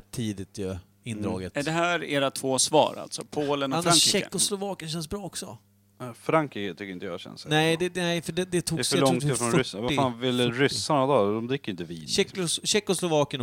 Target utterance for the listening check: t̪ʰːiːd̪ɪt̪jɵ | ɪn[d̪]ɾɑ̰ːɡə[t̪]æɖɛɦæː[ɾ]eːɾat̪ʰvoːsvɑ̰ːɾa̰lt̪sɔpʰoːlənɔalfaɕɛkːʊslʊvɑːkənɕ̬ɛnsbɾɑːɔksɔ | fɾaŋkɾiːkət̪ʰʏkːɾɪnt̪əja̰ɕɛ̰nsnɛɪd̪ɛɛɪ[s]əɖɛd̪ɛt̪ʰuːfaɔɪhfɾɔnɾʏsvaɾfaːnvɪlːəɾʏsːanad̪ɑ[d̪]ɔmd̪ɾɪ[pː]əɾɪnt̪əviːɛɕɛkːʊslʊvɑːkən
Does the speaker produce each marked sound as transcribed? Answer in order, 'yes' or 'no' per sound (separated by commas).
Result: yes, yes, yes, no, yes, no